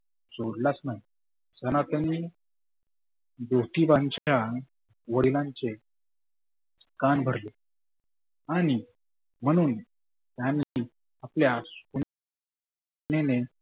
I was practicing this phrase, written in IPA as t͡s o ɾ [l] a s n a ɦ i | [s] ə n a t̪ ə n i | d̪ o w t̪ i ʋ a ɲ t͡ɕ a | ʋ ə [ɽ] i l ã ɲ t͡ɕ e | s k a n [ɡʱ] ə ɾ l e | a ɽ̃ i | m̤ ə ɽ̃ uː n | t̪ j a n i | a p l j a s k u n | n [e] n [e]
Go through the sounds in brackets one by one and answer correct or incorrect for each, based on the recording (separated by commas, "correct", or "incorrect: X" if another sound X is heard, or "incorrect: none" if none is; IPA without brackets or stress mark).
correct, correct, correct, incorrect: bʱ, correct, correct